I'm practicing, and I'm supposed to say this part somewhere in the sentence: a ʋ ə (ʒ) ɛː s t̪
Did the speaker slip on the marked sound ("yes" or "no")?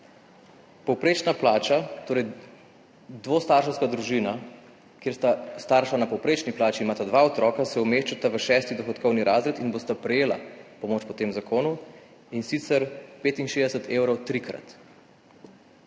yes